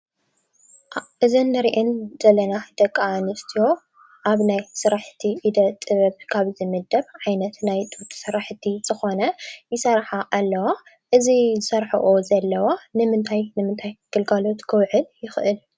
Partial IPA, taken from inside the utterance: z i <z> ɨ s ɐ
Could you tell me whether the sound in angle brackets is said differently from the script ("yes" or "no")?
no